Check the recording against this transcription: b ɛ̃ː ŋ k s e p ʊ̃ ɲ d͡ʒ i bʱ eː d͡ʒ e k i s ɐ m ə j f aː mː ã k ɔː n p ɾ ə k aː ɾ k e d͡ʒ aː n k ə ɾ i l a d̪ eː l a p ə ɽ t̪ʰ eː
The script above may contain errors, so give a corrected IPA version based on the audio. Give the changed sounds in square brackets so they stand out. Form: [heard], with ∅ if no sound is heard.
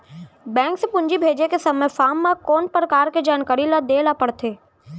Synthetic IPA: b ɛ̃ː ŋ k s e p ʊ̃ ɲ d͡ʒ i bʱ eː d͡ʒ e k [e] s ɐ m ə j f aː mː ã k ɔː n p ɾ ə k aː ɾ k e d͡ʒ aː n k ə ɾ i l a d̪ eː l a p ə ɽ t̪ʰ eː